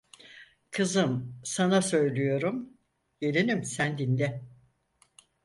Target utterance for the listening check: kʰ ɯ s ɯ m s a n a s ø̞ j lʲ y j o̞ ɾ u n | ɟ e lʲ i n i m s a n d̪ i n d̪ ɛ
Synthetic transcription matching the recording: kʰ ɯ z ɯ m s a n a s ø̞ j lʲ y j o̞ ɾ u m | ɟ e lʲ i n i m s æ n d̪ i n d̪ ɛ